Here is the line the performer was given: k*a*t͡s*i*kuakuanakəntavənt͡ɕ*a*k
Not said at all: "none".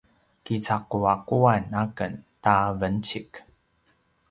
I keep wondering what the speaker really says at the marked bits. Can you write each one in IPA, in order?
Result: i, a, i

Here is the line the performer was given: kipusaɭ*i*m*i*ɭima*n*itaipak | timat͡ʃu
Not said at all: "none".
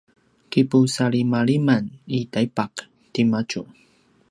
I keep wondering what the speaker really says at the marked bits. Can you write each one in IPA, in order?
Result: i, a, n

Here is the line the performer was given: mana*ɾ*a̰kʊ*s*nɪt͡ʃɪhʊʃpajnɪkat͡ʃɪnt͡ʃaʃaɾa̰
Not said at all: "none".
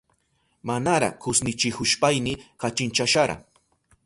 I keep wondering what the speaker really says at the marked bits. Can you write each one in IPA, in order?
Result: ɾ, s

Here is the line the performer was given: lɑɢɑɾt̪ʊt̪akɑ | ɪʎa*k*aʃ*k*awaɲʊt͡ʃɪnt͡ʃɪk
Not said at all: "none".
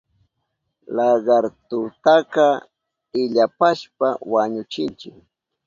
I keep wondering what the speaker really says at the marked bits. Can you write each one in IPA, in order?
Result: p, p

